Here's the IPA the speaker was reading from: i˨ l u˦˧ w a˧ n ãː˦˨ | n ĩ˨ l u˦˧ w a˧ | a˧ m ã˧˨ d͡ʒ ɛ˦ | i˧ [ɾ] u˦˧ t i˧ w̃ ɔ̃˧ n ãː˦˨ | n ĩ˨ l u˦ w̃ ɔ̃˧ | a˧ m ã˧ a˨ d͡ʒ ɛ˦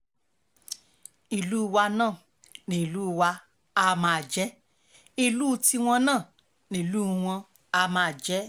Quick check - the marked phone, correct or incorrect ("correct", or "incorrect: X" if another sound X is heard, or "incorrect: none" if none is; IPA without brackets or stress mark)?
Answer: incorrect: l